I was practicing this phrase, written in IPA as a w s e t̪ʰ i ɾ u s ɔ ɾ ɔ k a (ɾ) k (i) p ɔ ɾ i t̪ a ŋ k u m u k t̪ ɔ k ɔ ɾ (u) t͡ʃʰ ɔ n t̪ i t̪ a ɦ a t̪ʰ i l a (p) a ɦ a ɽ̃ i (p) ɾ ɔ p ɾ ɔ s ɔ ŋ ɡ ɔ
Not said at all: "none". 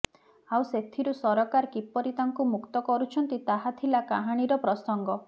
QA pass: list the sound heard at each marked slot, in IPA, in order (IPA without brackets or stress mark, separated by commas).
ɾ, i, u, k, none